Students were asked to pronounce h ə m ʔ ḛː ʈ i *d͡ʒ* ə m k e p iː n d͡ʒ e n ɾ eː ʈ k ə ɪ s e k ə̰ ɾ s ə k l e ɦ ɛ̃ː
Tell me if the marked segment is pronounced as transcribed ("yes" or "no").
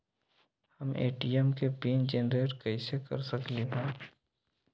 no